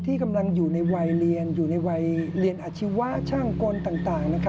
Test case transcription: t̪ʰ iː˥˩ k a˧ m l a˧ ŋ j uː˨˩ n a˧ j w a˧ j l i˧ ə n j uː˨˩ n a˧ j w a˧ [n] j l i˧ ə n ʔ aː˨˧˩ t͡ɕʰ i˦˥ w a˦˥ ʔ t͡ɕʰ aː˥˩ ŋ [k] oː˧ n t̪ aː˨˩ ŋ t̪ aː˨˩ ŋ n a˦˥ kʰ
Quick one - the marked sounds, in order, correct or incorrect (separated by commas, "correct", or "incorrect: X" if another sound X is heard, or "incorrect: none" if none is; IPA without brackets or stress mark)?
incorrect: none, correct